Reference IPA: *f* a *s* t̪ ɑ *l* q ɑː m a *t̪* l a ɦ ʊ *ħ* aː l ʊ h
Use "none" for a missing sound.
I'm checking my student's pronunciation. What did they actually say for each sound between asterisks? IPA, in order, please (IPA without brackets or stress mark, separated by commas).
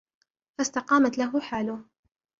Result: f, s, none, t̪, ħ